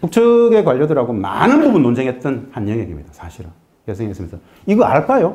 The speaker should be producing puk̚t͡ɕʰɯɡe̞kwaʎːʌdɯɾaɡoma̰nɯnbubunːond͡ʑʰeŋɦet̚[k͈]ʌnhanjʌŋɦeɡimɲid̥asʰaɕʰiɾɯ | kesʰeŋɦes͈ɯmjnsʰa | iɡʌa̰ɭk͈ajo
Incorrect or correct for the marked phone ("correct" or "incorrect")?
incorrect